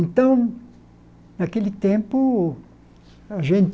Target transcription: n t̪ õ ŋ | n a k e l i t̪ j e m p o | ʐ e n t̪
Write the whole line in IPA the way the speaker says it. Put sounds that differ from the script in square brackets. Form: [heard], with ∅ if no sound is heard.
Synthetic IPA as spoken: n t̪ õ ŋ | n a k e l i t̪ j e m p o | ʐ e n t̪